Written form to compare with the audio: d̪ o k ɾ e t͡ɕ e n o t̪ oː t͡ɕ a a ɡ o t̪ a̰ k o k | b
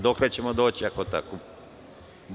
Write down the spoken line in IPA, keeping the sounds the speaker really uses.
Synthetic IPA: d̪ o k l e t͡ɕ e m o d̪ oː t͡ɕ i a k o t̪ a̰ k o | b